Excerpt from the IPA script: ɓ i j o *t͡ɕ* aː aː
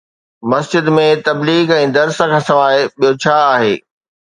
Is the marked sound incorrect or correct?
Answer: incorrect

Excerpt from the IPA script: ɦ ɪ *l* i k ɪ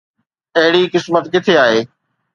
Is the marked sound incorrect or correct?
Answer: incorrect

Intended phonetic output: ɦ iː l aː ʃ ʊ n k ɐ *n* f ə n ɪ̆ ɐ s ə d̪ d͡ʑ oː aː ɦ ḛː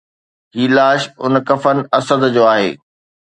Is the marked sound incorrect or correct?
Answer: incorrect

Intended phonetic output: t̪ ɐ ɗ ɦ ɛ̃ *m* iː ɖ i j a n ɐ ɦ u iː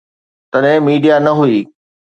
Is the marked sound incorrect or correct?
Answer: correct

